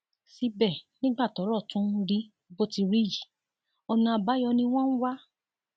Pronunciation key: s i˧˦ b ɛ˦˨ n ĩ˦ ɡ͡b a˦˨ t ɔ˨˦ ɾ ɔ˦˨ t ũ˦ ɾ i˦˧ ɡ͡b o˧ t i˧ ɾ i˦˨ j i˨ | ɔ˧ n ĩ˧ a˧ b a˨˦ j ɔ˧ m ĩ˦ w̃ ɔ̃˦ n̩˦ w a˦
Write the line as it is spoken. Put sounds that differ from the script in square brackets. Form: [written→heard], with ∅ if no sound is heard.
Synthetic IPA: s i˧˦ b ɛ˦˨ n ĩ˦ ɡ͡b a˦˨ t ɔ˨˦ ɾ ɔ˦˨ t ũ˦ ɾ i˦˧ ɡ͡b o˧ t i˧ ɾ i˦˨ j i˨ | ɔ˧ n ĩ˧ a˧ b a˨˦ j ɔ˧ [m→n] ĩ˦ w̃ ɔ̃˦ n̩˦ w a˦